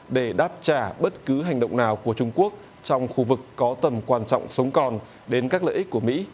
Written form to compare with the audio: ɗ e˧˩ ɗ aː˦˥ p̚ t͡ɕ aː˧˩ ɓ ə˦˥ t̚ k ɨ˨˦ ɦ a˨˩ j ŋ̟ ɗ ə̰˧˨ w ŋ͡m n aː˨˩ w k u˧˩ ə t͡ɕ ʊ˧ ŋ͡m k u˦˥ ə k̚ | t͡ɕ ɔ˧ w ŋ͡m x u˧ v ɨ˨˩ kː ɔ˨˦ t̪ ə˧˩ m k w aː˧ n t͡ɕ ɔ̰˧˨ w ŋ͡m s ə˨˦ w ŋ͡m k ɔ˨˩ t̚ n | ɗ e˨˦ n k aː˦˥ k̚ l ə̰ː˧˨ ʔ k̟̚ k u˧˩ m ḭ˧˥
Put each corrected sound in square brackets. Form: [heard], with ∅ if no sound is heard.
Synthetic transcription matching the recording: ɗ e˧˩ ɗ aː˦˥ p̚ t͡ɕ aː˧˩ ɓ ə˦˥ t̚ k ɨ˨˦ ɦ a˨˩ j ŋ̟ ɗ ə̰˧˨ w ŋ͡m n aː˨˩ w k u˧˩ ə t͡ɕ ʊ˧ ŋ͡m k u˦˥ ə k̚ | t͡ɕ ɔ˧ w ŋ͡m x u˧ v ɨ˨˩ kː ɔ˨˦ t̪ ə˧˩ m k w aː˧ n t͡ɕ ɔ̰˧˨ w ŋ͡m s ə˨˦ w ŋ͡m k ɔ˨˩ [∅] n | ɗ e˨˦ n k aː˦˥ k̚ l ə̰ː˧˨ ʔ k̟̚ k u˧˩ m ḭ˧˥